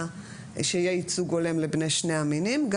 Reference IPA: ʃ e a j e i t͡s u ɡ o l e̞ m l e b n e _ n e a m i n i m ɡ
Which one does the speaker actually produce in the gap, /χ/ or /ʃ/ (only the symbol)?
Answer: ʃ